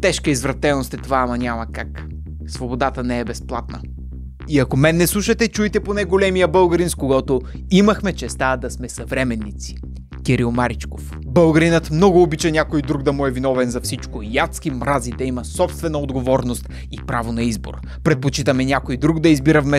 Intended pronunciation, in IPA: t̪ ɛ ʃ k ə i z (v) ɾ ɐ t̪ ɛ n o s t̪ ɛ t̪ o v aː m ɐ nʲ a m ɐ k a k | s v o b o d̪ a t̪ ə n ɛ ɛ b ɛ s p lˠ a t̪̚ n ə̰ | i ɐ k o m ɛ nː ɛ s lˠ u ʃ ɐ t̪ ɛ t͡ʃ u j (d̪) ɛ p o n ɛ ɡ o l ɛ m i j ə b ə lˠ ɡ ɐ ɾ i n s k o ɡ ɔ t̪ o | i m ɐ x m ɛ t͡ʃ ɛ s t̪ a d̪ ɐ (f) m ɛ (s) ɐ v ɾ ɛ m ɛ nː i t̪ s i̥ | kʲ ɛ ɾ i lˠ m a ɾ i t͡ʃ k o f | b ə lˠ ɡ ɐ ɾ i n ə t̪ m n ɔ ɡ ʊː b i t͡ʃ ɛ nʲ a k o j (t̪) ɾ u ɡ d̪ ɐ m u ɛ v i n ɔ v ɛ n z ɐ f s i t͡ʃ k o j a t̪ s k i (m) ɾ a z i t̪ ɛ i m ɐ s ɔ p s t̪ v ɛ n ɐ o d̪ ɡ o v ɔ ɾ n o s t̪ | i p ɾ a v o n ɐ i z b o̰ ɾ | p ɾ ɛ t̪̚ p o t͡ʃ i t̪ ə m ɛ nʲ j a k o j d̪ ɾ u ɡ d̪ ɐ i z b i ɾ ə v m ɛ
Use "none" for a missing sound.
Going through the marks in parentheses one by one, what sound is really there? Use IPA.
v, t̪, s, s, d̪, m

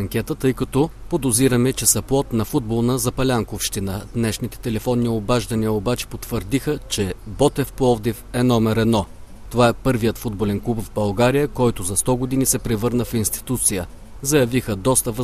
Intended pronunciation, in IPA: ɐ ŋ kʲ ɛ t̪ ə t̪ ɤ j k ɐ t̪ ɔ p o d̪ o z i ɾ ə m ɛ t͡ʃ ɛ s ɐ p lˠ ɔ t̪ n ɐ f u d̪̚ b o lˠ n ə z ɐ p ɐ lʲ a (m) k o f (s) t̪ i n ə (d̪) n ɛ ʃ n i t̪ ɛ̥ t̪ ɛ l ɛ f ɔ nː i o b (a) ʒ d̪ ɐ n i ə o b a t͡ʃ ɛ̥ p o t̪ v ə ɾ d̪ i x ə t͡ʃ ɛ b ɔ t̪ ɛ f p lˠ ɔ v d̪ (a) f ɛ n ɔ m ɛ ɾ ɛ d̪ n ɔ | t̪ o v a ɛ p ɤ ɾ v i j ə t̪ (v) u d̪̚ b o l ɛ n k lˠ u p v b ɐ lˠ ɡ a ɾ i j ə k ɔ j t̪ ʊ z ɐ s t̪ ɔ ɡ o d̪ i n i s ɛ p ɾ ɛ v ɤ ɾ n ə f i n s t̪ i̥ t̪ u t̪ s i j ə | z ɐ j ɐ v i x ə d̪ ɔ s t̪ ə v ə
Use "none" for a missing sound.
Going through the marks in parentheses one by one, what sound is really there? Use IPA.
ŋ, ʃ, d̪, a, i, f

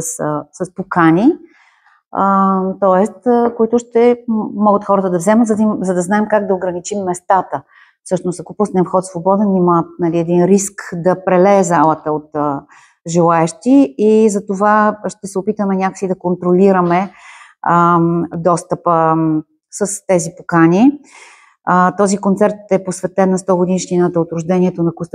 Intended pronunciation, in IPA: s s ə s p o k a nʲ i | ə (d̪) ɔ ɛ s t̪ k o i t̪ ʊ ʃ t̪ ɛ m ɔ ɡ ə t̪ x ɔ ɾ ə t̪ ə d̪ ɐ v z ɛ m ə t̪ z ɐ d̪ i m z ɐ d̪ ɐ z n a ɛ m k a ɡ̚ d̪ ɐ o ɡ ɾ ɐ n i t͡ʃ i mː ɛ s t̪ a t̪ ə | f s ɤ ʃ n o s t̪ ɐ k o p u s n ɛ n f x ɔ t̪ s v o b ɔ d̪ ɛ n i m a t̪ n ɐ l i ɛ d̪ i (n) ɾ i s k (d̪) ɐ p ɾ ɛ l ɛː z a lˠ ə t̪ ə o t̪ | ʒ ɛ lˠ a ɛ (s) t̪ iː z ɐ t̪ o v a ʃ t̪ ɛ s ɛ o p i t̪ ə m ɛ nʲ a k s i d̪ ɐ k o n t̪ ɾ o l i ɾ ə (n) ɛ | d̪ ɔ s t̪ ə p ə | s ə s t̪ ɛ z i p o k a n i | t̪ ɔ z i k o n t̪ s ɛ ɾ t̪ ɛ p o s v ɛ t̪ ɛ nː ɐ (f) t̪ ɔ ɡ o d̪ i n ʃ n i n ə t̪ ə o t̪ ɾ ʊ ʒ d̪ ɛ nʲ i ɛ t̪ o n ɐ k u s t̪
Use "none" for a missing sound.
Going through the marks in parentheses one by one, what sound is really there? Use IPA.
t̪, n, d̪, ʃ, m, s

